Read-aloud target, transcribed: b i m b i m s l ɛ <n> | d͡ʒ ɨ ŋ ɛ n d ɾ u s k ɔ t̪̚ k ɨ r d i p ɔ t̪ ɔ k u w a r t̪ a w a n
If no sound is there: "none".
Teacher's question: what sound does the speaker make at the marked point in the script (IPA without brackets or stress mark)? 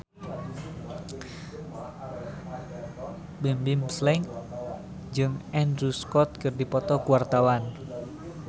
ŋ